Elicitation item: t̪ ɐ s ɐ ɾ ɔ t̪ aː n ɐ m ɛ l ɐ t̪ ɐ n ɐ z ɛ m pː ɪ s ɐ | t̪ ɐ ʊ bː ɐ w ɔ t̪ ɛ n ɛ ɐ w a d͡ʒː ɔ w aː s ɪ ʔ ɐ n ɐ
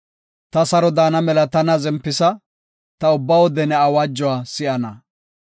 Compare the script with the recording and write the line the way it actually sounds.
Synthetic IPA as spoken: t̪ ɐ s ɐ ɾ ɔ d̪ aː n ɐ m ɛ l ɐ t̪ ɐ n ɐ z ɛ m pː ɪ s ɐ | t̪ ɐ ʊ bː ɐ w ɔ d̪ ɛ n ɛ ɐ w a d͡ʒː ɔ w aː s ɪ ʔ ɐ n ɐ